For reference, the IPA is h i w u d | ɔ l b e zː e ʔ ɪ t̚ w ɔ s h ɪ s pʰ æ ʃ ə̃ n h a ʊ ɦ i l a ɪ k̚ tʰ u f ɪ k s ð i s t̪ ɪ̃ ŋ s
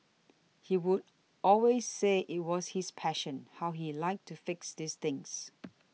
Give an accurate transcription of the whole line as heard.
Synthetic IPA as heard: h i w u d | ɔ l w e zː e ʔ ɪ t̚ w ɔ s h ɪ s pʰ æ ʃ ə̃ n h a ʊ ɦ i l a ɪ k̚ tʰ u f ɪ k s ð i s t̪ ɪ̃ ŋ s